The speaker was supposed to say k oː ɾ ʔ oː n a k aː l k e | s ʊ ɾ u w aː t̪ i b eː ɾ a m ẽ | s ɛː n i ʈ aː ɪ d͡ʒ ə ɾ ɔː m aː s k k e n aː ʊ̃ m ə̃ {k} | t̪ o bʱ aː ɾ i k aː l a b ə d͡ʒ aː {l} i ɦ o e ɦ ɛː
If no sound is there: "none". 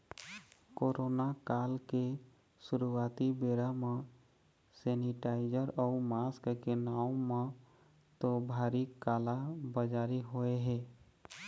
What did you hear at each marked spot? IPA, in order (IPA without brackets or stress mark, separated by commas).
none, ɾ